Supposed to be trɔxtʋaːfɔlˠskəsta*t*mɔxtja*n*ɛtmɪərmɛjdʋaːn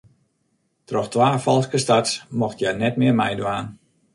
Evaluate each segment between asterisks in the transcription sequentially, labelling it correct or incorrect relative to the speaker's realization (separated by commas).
correct, correct